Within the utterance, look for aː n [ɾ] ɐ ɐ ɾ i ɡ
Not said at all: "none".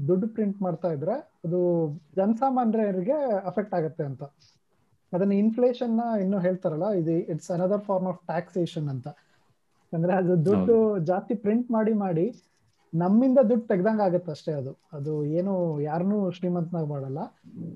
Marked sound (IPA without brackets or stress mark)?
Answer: ɾ